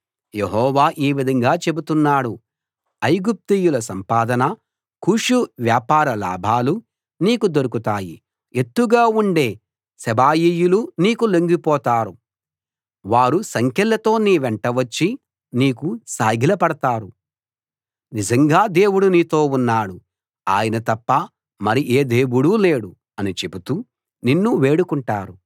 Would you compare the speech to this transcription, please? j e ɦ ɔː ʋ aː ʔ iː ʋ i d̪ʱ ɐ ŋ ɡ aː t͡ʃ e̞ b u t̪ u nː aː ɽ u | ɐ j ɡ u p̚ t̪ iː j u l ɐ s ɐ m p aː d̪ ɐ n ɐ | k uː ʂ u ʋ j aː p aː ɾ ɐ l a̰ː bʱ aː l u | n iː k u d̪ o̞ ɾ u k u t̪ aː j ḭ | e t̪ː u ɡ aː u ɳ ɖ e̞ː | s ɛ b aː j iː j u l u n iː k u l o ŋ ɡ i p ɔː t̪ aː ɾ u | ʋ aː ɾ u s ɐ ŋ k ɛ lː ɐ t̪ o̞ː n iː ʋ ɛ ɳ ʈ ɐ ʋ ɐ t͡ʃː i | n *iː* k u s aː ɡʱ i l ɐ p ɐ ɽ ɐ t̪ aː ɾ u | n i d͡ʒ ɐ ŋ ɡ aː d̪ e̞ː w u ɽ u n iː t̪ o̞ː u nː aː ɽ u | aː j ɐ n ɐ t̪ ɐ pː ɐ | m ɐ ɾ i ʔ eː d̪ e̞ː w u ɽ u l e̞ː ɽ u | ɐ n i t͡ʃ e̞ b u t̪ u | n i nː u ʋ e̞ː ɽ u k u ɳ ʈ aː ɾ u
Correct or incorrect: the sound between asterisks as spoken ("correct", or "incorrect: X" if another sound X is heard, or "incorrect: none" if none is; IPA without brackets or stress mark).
correct